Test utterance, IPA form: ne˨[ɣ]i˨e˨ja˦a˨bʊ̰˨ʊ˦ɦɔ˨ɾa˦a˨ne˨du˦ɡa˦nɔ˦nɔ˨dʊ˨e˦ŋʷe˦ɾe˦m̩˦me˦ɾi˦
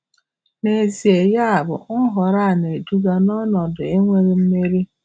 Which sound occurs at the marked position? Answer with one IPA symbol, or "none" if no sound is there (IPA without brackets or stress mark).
z